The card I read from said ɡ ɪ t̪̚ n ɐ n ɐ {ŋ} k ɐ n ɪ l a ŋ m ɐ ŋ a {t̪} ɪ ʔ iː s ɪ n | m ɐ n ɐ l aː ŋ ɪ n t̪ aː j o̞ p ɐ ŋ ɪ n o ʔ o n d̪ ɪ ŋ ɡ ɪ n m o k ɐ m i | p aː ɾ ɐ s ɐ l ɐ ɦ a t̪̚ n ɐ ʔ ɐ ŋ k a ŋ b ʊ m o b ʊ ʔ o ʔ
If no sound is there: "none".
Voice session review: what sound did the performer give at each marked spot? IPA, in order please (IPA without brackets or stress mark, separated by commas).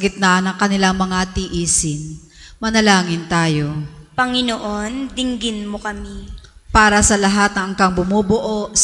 ŋ, t̪